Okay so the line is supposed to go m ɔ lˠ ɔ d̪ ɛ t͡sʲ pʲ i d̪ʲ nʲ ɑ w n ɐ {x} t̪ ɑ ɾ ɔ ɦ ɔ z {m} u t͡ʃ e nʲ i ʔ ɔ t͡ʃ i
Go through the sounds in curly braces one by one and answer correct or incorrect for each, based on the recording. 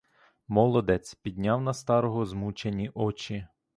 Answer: incorrect: s, correct

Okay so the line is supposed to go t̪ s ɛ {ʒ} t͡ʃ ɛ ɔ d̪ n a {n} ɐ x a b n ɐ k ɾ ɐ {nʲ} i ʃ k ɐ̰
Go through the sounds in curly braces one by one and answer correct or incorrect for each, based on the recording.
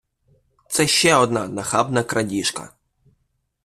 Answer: incorrect: ʃ, correct, incorrect: dʲ

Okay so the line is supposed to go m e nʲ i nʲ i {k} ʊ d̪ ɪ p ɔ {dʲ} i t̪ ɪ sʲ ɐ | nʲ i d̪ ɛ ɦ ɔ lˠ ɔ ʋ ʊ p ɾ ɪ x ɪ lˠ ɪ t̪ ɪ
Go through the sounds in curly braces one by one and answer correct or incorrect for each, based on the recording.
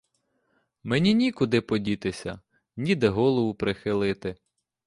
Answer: correct, correct

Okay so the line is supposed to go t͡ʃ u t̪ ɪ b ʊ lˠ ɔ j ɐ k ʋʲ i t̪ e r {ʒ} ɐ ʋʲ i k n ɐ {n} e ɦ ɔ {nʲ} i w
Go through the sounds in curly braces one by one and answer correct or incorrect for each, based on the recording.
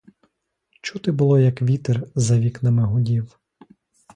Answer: incorrect: z, incorrect: m, incorrect: dʲ

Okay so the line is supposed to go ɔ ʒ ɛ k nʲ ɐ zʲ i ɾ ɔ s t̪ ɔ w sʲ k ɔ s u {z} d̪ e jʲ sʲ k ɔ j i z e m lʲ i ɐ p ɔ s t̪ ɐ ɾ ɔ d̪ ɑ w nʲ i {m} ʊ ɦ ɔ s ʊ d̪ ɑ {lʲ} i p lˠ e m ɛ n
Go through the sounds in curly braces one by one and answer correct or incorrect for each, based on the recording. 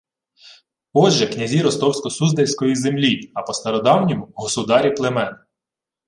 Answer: correct, correct, incorrect: ɾʲ

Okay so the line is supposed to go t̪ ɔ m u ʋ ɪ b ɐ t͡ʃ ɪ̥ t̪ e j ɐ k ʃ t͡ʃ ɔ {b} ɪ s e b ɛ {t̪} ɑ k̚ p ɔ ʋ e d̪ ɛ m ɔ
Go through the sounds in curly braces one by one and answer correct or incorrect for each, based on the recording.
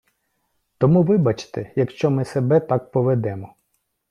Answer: incorrect: m, correct

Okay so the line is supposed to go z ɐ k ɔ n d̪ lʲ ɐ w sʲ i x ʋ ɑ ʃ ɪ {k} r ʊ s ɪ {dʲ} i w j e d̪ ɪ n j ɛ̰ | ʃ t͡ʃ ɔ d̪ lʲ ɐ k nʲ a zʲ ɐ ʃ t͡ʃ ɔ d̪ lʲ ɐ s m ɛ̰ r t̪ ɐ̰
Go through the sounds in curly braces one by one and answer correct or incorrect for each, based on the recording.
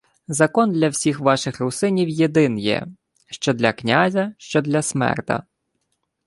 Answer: incorrect: x, incorrect: nʲ

